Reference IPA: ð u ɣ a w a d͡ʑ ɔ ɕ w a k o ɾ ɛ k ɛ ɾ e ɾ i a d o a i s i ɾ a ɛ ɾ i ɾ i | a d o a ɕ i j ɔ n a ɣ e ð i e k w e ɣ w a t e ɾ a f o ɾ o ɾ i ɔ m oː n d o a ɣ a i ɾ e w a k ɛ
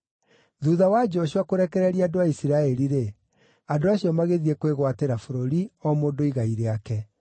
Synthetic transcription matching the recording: ð u ð a w a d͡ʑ ɔ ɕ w a k o ɾ ɛ k ɛ ɾ ɛ ɾ i a d o a i s i ɾ a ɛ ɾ i ɾ e | a d o a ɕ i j ɔ m a ɣ e ð i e k w e ɣ w a t e ɾ a f o ɾ o ɾ i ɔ m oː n d o i ɣ a i ɾ e a k ɛ